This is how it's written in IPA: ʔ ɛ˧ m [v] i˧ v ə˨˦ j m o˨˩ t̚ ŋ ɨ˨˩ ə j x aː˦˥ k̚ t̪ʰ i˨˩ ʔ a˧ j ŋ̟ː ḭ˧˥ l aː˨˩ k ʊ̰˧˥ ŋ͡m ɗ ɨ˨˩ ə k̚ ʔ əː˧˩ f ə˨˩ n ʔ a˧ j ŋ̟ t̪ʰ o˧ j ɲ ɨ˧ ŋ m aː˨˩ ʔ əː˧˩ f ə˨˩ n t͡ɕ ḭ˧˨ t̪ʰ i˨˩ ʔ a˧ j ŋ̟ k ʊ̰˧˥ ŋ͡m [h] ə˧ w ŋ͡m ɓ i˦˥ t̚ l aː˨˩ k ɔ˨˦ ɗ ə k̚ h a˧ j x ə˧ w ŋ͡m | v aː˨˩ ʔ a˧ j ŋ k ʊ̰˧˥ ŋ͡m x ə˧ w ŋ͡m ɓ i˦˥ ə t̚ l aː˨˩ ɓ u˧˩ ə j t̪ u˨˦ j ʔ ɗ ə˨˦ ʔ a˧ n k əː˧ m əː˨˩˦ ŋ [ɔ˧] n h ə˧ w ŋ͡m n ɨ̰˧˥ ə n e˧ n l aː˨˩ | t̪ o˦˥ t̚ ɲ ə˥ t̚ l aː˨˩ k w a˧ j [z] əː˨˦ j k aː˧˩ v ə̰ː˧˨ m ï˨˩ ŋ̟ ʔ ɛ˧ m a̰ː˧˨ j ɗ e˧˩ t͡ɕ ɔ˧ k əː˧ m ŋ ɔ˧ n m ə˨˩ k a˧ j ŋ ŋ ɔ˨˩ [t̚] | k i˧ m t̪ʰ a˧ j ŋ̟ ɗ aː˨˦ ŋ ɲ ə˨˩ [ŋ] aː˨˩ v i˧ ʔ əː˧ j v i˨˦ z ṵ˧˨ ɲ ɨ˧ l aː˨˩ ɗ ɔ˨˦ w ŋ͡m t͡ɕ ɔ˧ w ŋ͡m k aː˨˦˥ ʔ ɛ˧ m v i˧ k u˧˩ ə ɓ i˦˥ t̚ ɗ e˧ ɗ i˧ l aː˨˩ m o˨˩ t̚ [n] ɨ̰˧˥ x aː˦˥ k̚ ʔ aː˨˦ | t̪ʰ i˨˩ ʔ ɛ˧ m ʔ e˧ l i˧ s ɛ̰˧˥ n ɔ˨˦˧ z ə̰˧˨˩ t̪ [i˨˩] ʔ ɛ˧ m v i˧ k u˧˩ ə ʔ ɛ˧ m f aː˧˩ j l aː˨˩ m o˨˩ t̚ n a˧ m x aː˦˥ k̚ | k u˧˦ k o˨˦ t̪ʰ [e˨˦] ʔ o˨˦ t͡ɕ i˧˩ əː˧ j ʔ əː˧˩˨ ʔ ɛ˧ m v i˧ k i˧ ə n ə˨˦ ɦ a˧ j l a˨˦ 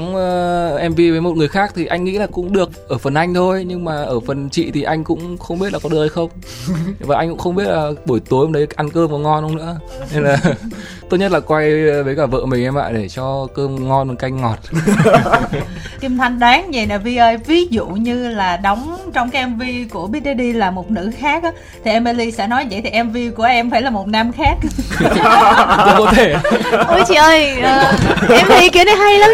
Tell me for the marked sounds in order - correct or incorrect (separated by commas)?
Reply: correct, incorrect, correct, incorrect, correct, incorrect, correct, correct, incorrect